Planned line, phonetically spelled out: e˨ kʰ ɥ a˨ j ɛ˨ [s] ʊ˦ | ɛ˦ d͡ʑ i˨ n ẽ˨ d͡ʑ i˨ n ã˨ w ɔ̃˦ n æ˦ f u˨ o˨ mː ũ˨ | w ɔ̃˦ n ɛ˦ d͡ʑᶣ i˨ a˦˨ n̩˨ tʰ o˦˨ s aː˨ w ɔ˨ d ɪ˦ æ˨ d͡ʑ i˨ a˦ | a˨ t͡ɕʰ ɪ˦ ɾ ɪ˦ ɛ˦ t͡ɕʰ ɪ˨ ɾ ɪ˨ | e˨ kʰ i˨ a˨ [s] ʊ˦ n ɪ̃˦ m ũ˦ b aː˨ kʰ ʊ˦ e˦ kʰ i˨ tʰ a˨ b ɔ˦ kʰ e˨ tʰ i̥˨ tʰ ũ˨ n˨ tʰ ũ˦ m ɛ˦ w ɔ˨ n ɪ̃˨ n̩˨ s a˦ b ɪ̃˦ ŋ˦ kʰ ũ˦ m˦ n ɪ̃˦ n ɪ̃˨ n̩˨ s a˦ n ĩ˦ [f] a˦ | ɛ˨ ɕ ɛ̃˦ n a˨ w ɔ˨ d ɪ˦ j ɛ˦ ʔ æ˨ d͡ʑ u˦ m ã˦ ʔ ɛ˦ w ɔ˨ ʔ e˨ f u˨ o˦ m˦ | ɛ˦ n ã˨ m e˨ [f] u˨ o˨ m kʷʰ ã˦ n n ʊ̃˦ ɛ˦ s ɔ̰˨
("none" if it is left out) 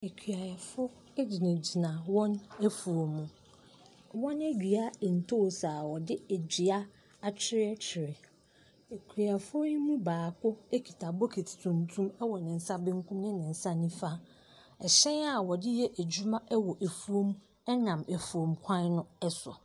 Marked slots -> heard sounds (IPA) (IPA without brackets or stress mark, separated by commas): f, f, f, f